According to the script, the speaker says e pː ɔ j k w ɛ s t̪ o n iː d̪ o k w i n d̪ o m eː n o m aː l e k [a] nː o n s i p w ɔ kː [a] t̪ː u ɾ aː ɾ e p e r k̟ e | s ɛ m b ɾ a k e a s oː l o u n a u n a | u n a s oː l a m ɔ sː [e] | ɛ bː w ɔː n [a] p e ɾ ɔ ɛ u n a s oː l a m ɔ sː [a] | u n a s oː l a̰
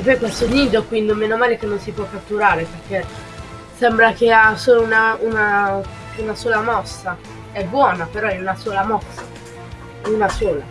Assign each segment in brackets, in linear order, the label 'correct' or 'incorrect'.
incorrect, correct, incorrect, correct, correct

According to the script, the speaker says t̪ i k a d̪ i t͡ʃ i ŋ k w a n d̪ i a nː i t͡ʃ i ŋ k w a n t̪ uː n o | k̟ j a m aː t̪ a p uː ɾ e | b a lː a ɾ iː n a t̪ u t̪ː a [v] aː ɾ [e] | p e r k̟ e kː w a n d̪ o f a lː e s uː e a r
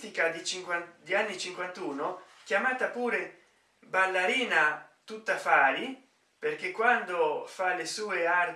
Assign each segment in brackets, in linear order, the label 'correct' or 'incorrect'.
incorrect, incorrect

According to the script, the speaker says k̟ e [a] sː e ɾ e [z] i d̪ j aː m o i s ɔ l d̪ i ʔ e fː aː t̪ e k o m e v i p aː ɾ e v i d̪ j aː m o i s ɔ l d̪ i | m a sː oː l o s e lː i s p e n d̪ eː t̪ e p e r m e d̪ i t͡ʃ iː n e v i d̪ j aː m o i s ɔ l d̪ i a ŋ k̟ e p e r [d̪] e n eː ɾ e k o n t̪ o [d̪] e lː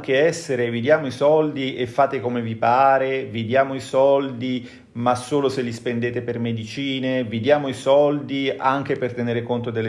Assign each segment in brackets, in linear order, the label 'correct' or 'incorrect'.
incorrect, incorrect, incorrect, correct

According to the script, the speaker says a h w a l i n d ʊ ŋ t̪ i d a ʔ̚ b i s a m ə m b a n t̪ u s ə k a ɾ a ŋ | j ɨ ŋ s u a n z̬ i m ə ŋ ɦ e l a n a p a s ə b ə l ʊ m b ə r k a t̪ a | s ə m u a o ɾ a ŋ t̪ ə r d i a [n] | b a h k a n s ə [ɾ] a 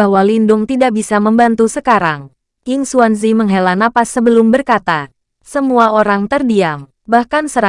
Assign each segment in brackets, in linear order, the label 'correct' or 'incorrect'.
incorrect, correct

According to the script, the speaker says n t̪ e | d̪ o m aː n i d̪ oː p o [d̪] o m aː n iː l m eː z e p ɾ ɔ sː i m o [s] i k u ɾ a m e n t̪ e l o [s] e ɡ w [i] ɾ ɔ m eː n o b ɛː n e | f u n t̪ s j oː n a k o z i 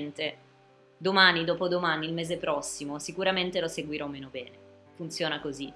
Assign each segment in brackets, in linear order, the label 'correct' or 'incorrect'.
correct, correct, correct, correct

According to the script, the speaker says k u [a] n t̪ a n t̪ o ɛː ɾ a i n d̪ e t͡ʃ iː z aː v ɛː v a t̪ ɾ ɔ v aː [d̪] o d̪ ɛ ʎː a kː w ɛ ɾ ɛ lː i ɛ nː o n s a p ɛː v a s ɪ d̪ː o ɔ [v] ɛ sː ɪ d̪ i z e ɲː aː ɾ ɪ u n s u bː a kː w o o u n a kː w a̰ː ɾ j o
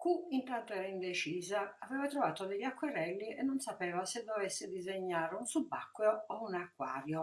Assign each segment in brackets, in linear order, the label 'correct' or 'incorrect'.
incorrect, incorrect, correct

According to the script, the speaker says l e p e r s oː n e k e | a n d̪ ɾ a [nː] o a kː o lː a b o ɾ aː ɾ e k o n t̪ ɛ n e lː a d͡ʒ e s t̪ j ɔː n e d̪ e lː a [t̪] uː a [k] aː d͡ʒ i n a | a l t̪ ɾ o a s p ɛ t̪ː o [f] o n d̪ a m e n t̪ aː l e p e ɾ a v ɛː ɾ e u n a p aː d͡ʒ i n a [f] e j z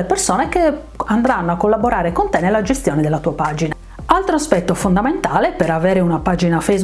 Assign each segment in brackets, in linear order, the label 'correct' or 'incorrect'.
correct, correct, incorrect, correct, correct

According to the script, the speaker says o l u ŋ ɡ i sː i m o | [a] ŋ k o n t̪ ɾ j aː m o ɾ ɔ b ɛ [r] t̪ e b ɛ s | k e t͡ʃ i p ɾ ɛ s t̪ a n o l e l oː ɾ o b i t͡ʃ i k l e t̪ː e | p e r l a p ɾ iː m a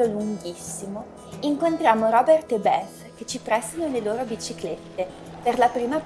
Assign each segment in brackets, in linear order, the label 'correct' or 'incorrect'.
incorrect, correct

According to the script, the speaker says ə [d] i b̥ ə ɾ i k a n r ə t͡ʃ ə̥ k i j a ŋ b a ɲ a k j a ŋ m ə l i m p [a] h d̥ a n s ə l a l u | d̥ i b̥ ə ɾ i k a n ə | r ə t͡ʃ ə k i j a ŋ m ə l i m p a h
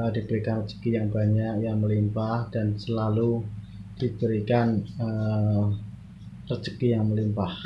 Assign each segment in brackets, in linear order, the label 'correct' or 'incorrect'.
correct, correct

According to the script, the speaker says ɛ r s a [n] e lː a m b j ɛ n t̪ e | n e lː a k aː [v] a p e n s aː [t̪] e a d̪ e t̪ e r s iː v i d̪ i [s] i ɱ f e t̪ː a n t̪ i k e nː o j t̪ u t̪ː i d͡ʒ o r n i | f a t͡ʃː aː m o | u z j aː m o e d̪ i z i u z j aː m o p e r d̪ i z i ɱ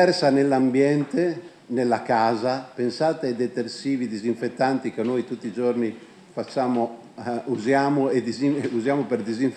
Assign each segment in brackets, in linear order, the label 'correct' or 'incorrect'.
correct, incorrect, correct, incorrect

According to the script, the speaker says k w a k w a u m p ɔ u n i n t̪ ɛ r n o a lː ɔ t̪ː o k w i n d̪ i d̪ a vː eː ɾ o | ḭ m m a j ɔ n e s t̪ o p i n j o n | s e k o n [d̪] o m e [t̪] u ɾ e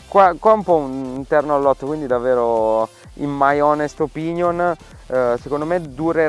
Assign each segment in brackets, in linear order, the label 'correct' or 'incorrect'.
correct, incorrect

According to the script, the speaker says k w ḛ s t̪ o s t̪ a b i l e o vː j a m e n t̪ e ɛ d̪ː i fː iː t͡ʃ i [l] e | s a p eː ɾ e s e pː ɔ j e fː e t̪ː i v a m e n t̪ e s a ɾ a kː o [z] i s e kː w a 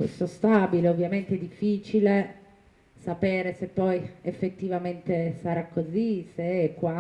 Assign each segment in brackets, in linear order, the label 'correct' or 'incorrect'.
correct, correct

